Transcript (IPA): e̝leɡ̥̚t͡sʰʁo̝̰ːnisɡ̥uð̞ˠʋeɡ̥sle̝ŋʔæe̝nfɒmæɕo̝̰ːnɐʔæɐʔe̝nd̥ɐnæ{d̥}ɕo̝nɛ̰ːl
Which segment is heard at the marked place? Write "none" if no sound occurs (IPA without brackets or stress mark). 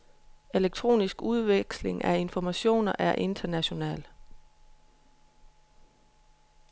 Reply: none